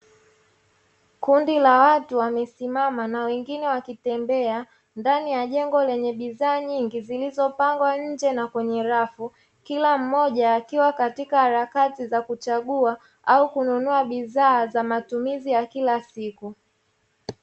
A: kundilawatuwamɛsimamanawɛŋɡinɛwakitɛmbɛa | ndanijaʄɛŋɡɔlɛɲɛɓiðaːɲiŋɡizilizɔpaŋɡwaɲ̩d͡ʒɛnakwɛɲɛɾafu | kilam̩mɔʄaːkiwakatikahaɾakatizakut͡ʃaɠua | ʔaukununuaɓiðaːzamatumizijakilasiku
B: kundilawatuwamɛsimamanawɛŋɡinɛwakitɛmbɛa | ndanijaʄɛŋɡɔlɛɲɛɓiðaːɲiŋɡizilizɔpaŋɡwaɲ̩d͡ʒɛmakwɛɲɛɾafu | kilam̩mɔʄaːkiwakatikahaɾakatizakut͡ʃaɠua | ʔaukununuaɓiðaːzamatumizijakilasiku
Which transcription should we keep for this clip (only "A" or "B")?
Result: A